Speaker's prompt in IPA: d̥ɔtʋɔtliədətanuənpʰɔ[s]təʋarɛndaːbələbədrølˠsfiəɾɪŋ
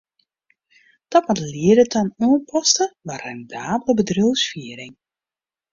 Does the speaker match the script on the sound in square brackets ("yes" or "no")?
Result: yes